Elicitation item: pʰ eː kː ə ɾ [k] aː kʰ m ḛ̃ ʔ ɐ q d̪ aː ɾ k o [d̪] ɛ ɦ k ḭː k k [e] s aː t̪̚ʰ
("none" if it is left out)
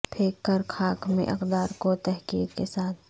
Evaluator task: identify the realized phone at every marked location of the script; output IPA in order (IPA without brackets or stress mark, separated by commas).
kʰ, t̪, e